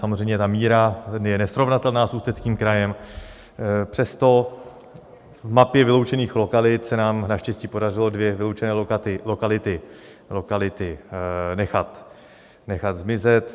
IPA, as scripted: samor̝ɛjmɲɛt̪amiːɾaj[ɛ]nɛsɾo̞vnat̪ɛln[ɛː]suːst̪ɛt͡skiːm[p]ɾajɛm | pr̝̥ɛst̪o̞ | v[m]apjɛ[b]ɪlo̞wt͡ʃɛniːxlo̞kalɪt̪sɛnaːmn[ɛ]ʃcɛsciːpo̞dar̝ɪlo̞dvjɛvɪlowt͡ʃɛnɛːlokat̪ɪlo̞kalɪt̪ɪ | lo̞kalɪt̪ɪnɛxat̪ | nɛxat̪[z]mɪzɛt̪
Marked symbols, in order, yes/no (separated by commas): yes, no, no, yes, no, no, yes